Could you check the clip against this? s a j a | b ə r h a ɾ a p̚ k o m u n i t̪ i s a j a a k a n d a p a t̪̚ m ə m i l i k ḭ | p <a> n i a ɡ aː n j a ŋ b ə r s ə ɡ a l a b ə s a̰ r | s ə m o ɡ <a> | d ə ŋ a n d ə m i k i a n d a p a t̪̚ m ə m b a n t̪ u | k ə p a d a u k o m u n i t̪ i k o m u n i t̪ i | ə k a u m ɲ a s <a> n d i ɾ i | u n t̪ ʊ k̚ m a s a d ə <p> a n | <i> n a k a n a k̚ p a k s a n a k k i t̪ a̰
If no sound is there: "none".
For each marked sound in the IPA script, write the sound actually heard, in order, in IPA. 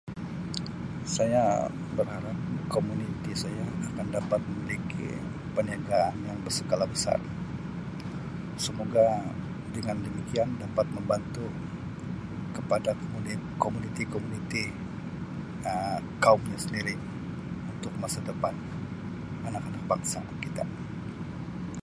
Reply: ə, a, ə, p, a

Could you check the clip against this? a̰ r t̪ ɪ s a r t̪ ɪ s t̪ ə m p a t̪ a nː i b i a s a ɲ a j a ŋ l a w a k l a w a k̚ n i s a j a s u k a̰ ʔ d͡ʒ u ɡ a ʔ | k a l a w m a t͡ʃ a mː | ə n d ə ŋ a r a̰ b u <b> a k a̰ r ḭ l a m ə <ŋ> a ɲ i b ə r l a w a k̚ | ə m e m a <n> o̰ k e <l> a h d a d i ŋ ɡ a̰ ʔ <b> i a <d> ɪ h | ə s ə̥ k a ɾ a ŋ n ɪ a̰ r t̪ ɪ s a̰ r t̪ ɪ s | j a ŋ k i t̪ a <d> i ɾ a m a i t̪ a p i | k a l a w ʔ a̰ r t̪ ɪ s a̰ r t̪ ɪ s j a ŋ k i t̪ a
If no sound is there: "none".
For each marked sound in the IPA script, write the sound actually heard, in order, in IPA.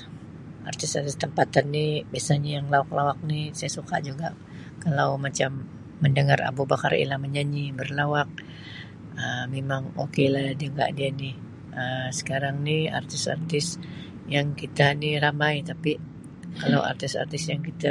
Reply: b, ɲ, ŋ, l, d, n, n

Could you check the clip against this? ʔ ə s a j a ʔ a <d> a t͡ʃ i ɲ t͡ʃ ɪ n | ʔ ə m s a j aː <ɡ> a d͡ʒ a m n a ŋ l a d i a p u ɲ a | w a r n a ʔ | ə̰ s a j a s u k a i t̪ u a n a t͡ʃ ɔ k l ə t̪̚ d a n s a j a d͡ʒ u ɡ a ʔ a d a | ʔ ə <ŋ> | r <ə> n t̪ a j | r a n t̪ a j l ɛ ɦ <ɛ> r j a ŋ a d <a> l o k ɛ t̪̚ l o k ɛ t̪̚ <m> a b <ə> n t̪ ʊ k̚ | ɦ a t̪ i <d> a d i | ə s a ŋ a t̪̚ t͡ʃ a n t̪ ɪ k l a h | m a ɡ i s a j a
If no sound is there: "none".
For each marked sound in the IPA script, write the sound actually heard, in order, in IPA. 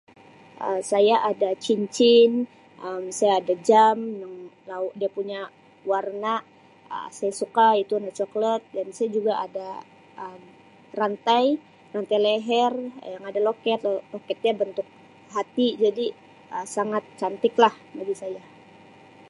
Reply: d, d, m, a, ɛ, a, ɲ, ə, d͡ʒ

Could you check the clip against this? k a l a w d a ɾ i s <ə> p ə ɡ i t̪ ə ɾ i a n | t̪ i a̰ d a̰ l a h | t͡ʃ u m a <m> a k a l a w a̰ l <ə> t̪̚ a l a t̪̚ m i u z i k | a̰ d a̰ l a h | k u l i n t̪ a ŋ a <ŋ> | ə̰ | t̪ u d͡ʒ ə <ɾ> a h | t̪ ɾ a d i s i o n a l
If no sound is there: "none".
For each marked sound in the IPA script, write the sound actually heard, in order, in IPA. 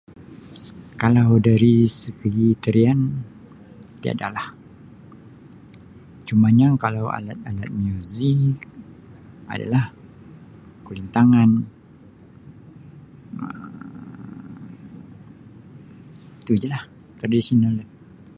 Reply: ə, ɲ, a, n, l

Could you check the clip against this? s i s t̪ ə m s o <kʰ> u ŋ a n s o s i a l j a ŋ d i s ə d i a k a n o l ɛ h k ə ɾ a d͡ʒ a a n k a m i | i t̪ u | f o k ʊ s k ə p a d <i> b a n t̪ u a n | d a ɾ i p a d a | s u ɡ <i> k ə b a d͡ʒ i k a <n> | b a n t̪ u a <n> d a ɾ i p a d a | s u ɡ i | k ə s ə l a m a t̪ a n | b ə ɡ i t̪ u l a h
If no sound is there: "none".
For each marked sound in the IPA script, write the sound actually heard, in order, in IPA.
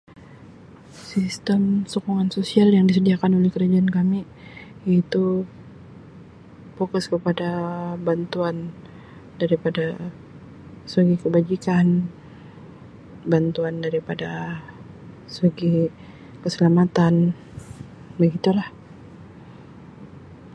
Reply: k, a, i, n, n

